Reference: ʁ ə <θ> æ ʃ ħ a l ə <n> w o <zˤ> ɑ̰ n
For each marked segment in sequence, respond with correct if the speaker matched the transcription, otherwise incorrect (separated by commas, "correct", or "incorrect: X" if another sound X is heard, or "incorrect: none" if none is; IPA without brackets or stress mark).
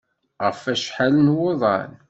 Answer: incorrect: f, correct, incorrect: ðˤ